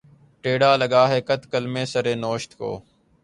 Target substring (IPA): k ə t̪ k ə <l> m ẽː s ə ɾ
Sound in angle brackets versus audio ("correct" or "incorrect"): correct